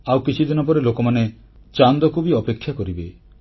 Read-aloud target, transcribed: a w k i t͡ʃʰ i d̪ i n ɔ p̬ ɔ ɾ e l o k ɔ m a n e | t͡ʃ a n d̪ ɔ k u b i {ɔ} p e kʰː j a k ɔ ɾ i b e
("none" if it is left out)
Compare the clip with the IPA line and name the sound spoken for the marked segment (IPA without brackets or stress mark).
ɔ